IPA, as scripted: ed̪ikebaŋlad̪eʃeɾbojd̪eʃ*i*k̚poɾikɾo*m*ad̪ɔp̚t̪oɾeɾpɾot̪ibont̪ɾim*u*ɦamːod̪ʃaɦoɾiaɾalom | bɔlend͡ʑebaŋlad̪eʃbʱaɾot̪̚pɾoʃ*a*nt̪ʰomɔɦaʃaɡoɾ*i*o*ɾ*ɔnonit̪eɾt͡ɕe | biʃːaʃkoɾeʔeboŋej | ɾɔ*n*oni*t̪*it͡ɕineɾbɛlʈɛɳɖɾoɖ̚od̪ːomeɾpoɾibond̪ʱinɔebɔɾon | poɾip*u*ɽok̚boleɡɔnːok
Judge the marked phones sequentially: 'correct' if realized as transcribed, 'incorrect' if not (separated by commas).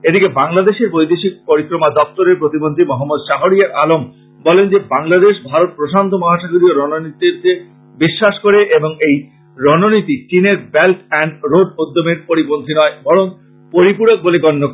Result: correct, correct, incorrect, correct, correct, correct, correct, correct, correct